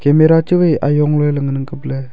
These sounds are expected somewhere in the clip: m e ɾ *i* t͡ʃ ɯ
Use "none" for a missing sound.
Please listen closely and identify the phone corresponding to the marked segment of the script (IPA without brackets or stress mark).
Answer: a